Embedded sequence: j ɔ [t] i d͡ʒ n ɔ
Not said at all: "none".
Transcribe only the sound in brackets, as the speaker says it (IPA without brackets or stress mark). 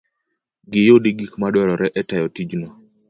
t